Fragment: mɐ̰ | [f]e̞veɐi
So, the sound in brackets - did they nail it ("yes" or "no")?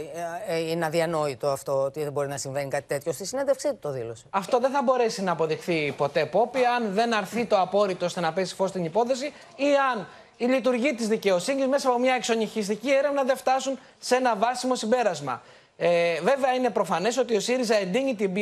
no